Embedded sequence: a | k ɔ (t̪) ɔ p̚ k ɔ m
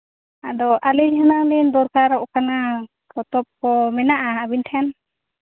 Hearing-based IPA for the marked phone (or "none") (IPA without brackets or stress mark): t̪